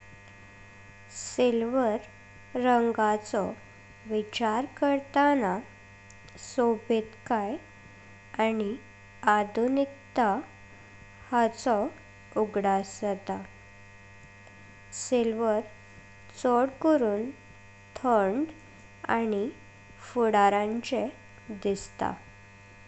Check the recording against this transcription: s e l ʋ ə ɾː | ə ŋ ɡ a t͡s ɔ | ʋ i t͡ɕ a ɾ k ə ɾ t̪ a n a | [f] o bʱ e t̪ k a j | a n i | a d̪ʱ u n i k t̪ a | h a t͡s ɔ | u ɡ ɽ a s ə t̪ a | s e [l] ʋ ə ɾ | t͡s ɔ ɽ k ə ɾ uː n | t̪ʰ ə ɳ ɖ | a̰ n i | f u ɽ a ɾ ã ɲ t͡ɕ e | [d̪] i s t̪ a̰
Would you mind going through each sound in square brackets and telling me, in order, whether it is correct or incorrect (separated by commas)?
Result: incorrect, correct, correct